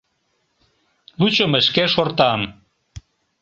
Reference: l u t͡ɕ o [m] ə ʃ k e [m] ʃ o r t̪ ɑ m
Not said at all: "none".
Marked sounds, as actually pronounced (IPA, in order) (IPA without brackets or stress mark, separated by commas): m, none